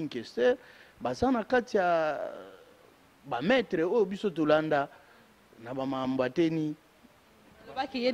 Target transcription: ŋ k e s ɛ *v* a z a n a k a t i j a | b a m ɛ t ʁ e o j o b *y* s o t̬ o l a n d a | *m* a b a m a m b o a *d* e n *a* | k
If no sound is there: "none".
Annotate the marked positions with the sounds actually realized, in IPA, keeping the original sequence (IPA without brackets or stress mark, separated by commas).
b, i, n, t, i